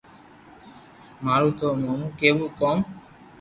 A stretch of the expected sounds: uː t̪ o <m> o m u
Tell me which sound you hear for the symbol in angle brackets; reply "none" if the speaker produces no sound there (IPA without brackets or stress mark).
m